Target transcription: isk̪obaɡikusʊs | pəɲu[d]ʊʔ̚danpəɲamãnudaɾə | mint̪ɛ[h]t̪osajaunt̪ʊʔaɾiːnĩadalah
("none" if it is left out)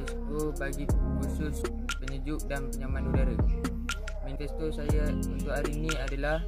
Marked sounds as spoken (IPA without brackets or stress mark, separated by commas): d͡ʒ, s